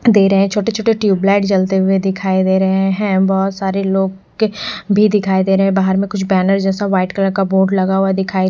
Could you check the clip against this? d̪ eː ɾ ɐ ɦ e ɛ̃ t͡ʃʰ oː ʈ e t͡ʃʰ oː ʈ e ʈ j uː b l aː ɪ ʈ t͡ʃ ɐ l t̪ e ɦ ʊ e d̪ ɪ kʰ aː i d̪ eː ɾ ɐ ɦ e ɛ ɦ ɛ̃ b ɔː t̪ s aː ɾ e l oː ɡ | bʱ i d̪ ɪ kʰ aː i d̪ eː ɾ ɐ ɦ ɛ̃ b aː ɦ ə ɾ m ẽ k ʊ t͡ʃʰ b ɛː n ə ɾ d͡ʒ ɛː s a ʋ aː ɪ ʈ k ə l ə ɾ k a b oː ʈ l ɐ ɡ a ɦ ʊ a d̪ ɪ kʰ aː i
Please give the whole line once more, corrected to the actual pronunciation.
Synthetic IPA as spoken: d̪ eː ɾ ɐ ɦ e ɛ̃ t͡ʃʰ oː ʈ e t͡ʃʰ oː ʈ e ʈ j uː b l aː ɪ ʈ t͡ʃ ɐ l t̪ e ɦ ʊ e d̪ ɪ kʰ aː i d̪ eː ɾ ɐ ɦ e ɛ ɦ ɛ̃ b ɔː t̪ s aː ɾ e l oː ɡ | bʱ i d̪ ɪ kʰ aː i d̪ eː ɾ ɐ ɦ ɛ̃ b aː ɦ ə ɾ m ẽ k ʊ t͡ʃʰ b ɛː n ə ɾ d͡ʒ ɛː s a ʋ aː ɪ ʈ k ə l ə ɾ k a b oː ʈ l ɐ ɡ a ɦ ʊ a d̪ ɪ kʰ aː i